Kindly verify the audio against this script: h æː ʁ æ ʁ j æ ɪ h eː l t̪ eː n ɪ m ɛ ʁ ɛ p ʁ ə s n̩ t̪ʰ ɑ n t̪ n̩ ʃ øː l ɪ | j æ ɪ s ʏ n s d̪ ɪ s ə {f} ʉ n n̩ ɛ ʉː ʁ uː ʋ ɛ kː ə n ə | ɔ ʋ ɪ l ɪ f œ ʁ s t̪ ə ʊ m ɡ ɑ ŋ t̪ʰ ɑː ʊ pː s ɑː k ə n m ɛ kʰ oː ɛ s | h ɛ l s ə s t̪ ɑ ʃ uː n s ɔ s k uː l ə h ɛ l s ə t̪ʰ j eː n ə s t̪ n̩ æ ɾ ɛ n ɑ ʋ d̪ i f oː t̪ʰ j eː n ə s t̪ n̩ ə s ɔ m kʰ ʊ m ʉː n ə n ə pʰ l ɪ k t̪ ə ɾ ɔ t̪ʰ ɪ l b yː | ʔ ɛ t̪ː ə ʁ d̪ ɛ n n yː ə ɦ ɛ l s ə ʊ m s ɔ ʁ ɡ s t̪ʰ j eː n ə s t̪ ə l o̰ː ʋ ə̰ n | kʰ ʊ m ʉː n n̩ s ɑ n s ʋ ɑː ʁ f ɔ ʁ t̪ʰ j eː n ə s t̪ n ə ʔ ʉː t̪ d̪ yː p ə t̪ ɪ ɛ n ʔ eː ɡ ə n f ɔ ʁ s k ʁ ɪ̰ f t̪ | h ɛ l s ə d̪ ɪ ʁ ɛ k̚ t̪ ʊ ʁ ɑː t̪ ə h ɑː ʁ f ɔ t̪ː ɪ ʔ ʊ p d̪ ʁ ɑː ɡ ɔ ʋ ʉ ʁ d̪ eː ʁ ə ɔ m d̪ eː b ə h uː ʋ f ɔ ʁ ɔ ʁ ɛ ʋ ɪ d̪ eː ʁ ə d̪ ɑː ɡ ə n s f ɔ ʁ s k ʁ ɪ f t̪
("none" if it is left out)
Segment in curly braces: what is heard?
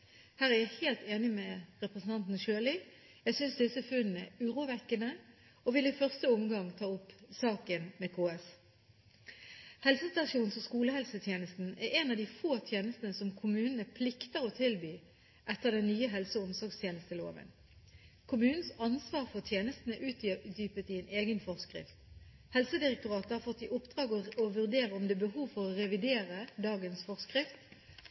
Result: f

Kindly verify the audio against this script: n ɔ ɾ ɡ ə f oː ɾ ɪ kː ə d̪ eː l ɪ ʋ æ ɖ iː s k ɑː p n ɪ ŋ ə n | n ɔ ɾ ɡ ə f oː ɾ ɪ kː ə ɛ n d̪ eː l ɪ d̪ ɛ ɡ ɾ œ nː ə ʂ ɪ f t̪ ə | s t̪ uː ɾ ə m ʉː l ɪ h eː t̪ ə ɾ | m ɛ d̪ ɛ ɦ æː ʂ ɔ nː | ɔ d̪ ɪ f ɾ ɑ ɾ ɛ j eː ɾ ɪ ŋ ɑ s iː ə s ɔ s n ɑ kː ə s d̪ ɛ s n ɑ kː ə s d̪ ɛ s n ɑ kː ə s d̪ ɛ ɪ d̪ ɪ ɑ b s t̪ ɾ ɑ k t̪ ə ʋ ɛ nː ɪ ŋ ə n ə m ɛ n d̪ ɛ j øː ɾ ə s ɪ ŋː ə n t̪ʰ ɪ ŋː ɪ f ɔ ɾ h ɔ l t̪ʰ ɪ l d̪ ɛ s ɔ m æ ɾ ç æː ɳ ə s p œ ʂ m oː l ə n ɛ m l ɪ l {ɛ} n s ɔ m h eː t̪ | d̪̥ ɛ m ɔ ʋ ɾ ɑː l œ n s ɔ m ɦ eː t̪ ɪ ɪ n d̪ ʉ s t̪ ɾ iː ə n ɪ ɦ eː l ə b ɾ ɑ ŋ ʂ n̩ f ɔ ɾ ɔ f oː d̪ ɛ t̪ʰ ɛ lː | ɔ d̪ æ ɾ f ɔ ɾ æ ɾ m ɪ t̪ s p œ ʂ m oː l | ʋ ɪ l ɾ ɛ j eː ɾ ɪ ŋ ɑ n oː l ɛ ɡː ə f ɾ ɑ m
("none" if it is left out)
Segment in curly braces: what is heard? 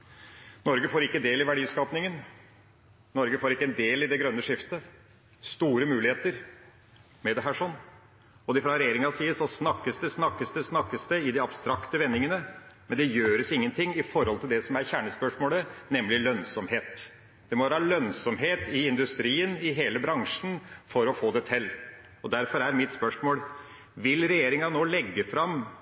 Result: œ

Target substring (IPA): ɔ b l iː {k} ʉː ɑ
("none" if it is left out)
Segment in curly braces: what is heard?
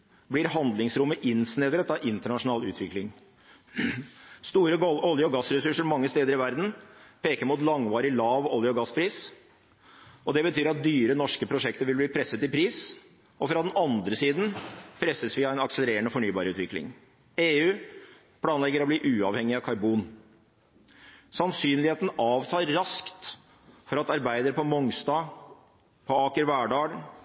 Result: ʔ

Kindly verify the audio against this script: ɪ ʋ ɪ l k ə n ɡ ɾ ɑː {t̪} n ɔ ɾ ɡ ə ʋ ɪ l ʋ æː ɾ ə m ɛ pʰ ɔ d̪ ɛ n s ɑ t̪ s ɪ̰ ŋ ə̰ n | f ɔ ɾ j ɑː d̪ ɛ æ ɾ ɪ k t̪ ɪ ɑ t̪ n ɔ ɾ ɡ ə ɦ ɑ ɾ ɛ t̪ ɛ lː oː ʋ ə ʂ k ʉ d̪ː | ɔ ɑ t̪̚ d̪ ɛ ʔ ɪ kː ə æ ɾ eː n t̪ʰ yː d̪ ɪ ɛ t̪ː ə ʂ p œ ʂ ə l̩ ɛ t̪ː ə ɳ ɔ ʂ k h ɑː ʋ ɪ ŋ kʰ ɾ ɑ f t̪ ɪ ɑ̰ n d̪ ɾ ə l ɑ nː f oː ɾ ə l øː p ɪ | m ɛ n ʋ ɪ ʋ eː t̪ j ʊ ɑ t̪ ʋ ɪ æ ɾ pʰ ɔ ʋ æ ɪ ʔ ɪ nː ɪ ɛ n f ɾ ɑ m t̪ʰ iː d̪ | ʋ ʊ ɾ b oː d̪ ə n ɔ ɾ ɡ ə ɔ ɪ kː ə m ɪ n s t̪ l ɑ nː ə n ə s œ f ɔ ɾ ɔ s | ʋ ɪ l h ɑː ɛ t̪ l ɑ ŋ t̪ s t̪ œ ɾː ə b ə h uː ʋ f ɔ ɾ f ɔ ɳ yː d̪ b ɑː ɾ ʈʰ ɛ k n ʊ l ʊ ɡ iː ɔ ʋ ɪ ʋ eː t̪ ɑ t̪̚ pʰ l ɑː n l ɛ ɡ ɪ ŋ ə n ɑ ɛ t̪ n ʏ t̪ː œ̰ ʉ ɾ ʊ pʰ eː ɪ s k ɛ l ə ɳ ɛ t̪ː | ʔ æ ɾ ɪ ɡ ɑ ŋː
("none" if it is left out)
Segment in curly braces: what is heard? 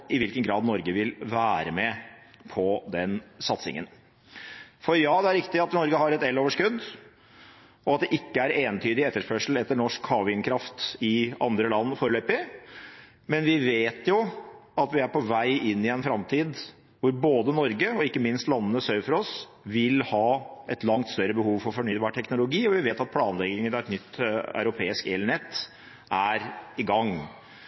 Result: d̪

